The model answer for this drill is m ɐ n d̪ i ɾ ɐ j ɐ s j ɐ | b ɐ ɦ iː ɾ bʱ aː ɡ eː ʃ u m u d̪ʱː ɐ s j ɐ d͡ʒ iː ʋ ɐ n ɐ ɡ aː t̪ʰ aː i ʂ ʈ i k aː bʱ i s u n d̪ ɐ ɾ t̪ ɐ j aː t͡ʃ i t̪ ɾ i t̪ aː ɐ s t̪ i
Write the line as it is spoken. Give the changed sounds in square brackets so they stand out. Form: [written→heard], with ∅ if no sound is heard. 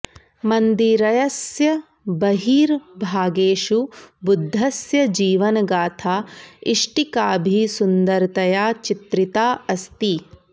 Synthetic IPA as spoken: m ɐ n d̪ i ɾ ɐ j ɐ s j ɐ | b ɐ ɦ iː ɾ bʱ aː ɡ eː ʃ u [m→b] u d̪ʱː ɐ s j ɐ d͡ʒ iː ʋ ɐ n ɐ ɡ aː t̪ʰ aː i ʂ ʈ i k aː bʱ i s u n d̪ ɐ ɾ t̪ ɐ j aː t͡ʃ i t̪ ɾ i t̪ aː ɐ s t̪ i